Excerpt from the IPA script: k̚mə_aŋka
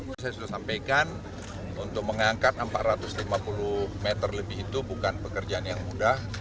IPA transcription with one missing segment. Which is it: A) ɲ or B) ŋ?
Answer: B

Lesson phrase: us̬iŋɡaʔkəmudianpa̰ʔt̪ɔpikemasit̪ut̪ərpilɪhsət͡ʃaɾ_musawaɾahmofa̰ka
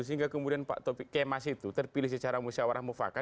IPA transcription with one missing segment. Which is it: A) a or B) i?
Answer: A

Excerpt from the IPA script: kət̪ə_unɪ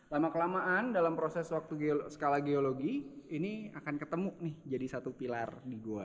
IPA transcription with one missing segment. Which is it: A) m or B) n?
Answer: A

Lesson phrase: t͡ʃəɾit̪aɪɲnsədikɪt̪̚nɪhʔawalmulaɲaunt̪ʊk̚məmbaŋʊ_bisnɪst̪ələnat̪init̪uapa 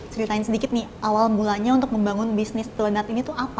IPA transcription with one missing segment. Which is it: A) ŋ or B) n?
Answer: B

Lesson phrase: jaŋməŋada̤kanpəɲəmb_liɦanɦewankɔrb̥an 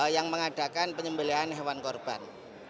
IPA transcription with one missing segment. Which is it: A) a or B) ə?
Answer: B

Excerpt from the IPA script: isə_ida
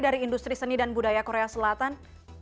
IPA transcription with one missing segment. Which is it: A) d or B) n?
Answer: B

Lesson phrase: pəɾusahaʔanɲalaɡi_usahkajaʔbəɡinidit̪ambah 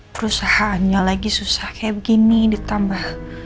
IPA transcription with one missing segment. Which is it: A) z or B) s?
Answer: B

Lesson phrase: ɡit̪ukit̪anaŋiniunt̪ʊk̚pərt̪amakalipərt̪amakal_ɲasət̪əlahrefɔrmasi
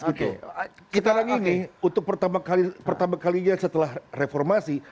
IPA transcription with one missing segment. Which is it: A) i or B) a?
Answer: A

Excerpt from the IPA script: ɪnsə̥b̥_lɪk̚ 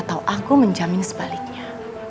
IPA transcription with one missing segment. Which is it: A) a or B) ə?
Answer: A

